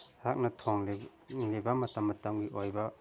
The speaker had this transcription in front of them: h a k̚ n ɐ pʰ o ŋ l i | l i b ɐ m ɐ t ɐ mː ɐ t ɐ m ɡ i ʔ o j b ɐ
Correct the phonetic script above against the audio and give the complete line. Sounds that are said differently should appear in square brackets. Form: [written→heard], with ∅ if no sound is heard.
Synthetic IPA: h a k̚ n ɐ [pʰ→tʰ] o ŋ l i | l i b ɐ m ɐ t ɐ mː ɐ t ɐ m ɡ i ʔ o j b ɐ

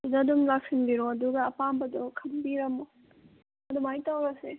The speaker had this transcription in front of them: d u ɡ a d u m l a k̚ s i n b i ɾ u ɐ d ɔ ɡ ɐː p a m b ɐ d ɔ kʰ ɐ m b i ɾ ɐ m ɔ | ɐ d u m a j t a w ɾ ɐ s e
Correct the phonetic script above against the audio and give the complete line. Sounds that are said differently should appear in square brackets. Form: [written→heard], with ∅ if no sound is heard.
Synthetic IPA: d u [ɡ→d] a d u m l a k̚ s i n b i ɾ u ɐ d [ɔ→u] ɡ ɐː p a m b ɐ d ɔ kʰ ɐ m b i ɾ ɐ m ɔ | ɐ d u m a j t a w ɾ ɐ s e

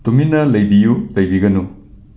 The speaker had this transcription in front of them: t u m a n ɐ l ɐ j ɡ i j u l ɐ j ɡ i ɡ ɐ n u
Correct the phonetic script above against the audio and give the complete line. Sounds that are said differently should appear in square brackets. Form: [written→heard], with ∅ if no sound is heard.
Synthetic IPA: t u m [a→i] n ɐ l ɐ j [ɡ→b] i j u l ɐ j [ɡ→b] i ɡ ɐ n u

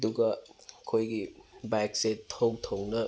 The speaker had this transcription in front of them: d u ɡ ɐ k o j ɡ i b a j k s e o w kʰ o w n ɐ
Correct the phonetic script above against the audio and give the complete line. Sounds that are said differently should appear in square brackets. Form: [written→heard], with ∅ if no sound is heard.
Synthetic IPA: d u ɡ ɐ [k→kʰ] o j ɡ i b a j k s e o w [kʰ→tʰ] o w n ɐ

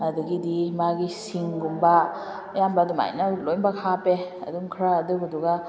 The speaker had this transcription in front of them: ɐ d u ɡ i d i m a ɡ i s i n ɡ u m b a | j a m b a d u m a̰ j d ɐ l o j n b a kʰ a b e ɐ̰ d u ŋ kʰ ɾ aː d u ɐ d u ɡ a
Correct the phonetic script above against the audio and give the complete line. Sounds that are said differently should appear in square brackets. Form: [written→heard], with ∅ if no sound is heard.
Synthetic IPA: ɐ d u ɡ i d i m a ɡ i s i [n→ŋ] ɡ u m b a | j a m b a d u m a̰ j [d→n] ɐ l o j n b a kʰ a [b→p] e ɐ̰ d u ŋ kʰ ɾ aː d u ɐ d u ɡ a

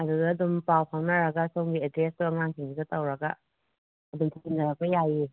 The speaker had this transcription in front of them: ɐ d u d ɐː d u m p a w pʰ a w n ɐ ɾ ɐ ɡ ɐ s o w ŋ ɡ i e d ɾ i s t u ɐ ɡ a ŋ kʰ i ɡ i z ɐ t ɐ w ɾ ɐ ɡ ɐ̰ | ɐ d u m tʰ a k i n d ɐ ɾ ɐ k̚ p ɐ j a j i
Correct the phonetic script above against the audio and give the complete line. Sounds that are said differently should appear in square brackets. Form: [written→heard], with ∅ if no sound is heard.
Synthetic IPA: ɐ d u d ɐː d u m p a w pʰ a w n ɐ ɾ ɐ ɡ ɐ s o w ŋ ɡ i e d ɾ [i→e] s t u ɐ [ɡ→ŋ] a ŋ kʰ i [ɡ→ŋ] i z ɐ t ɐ w ɾ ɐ ɡ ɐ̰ | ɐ d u m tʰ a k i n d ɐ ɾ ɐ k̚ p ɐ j a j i

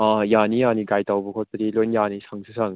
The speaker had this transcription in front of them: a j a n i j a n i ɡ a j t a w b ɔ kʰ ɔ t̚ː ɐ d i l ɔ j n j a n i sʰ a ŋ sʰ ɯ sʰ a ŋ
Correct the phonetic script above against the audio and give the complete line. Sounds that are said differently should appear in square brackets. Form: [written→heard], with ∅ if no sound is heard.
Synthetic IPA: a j a n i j a n i ɡ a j t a w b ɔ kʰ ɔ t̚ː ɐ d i l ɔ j n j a n i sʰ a ŋ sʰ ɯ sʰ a ŋ

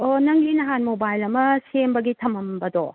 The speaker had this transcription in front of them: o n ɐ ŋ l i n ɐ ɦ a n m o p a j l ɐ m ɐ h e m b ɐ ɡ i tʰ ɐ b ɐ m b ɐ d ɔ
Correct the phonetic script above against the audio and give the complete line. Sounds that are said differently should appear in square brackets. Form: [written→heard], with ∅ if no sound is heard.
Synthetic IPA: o n ɐ ŋ l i n ɐ ɦ a n m o [p→b] a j l ɐ m ɐ [h→s] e m b ɐ ɡ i tʰ ɐ [b→m] ɐ m b ɐ d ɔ

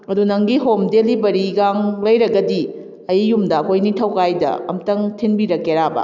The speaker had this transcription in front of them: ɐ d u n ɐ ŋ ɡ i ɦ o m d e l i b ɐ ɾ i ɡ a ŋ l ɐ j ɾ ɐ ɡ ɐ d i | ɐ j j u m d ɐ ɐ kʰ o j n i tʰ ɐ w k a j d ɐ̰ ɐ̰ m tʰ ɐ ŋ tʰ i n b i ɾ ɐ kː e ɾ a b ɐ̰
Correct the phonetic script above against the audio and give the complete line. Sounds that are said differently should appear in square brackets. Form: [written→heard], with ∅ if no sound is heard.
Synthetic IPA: ɐ d u n ɐ ŋ ɡ i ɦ o m d e l i b ɐ ɾ i ɡ a ŋ l ɐ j ɾ ɐ ɡ ɐ d i | ɐ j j u m d ɐ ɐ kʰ o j n i tʰ ɐ w k a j d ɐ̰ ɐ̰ m [tʰ→t] ɐ ŋ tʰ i n b i ɾ ɐ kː e ɾ a b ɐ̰

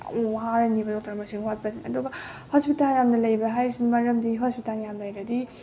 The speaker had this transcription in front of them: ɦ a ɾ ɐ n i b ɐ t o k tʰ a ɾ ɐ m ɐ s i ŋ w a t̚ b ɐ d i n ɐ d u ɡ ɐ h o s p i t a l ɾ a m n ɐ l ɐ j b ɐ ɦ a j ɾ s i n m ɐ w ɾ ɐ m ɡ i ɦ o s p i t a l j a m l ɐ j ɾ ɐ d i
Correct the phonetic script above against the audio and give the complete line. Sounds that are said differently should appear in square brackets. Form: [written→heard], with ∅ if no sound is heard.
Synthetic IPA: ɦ a ɾ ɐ n i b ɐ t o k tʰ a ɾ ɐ m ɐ s i ŋ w a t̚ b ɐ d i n ɐ d u ɡ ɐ h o s p i t a l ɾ a m n ɐ l ɐ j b ɐ ɦ a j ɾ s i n m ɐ [w→∅] ɾ ɐ m [ɡ→d] i ɦ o s p i t a l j a m l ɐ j ɾ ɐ d i

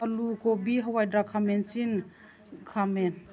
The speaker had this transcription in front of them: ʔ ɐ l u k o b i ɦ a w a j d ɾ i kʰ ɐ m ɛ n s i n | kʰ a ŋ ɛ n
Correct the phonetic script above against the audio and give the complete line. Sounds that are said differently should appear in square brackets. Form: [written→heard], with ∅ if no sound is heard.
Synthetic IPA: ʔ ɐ l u k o b i ɦ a w a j d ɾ [i→a] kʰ [ɐ→a] m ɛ n s i n | kʰ a [ŋ→m] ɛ n

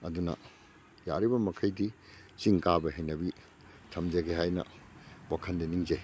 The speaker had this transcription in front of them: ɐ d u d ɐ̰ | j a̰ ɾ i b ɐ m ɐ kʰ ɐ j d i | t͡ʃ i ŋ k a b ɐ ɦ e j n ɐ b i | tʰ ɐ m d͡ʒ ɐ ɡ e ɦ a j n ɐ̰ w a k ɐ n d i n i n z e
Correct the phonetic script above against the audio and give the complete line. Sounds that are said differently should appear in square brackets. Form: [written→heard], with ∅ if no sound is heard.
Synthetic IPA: ɐ d u [d→n] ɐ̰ | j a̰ ɾ i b ɐ m ɐ kʰ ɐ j d i | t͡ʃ i ŋ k a b ɐ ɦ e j n ɐ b i | tʰ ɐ m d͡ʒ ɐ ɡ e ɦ a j n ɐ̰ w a [k→kʰ] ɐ n d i n i [n→ŋ] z e

